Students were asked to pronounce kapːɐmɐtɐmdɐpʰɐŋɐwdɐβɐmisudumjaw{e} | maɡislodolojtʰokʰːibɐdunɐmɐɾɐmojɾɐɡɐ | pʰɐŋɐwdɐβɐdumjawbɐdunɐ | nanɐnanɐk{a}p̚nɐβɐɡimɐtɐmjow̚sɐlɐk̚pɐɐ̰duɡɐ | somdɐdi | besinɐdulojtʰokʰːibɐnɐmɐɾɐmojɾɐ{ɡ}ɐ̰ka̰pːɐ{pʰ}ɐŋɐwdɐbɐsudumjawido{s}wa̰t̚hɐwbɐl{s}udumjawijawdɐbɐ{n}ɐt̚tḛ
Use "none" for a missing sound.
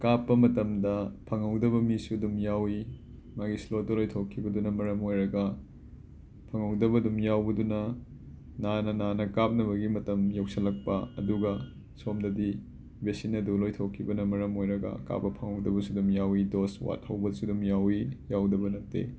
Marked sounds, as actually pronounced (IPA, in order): i, a, ɡ, pʰ, s, s, n

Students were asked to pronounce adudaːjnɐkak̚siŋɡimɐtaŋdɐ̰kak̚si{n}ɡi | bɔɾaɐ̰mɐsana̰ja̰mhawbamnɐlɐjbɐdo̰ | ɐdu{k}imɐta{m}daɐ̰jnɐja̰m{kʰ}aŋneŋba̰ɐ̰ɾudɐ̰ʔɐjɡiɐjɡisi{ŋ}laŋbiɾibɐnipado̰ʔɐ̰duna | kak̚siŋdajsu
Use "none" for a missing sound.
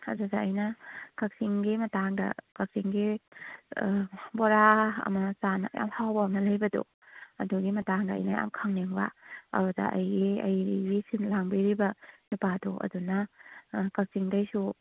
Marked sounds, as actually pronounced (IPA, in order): ŋ, ɡ, ŋ, kʰ, n

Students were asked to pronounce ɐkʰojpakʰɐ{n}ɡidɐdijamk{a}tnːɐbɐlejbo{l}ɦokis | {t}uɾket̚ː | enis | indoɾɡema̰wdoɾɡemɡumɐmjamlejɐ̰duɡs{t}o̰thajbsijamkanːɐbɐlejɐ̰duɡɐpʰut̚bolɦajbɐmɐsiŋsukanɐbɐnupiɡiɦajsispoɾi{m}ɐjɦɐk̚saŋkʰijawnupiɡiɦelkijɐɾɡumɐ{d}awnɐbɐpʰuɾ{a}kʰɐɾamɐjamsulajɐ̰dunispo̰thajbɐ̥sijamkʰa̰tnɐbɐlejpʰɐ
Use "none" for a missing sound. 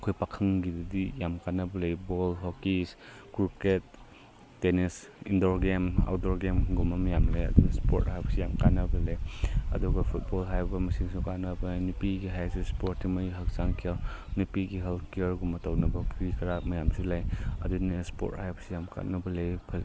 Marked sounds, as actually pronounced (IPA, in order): ŋ, a, l, k, p, m, t, i

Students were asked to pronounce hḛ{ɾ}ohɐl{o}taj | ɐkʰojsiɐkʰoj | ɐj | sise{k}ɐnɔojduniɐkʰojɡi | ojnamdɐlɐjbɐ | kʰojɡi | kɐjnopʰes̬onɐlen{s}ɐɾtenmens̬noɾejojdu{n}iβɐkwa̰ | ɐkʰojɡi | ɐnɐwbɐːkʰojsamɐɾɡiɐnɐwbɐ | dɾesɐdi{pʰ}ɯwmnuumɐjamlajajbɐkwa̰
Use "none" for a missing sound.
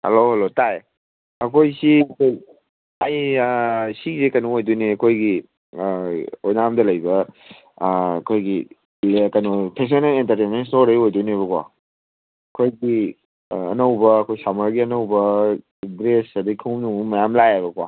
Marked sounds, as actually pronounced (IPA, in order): l, o, k, t, n, kʰ

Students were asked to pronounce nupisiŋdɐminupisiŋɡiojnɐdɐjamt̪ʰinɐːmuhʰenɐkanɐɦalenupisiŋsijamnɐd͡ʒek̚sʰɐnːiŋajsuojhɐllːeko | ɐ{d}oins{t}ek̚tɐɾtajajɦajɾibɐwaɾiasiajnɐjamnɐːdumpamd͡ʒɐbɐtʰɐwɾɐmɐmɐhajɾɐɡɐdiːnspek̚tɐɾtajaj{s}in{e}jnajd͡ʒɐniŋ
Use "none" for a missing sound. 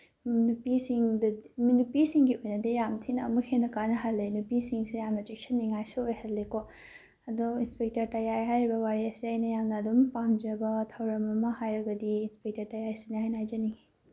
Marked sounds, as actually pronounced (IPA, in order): d, p, s, a

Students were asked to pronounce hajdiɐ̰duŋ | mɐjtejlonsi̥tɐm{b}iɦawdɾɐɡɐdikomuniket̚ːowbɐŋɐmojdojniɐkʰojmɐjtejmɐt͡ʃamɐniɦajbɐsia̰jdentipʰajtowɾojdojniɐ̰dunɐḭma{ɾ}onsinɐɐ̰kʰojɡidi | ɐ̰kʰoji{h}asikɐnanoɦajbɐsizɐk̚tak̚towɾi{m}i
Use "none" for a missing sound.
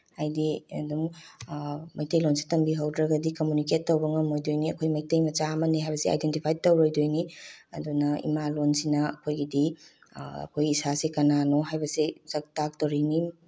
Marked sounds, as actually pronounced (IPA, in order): b, l, s, n

